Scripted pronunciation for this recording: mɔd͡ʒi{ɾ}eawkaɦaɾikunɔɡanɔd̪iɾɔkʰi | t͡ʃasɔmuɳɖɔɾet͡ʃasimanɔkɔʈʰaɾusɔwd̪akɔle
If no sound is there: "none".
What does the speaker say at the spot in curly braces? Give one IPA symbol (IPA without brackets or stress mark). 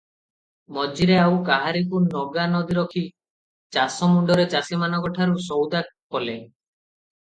ɾ